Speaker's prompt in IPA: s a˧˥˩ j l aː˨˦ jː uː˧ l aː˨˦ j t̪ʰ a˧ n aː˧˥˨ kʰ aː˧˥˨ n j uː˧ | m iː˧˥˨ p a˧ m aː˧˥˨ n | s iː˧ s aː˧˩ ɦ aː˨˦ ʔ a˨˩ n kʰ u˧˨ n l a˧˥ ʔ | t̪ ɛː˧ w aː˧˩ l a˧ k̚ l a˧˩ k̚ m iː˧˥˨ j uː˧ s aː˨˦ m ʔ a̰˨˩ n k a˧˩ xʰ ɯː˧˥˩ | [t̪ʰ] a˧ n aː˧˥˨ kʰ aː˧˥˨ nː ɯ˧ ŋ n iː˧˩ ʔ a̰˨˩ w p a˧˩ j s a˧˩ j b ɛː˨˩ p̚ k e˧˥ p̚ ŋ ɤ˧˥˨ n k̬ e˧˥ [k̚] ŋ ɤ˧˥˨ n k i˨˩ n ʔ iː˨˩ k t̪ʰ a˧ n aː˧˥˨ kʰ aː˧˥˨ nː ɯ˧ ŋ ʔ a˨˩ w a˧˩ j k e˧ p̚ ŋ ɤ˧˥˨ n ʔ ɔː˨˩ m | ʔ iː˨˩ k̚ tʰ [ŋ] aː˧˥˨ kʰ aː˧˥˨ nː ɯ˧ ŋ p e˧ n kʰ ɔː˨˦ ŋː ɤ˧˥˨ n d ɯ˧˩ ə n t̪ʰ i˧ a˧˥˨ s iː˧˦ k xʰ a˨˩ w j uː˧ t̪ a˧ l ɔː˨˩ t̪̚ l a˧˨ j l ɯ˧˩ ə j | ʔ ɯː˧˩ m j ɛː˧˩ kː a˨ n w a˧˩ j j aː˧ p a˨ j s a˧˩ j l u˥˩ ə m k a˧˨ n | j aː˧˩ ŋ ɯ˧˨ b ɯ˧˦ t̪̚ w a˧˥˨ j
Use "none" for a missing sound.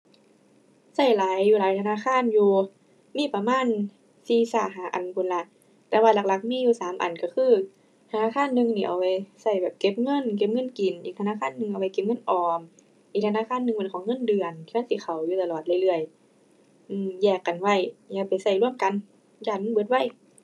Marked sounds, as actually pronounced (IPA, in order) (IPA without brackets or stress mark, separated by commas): t̪ʰ, p̚, n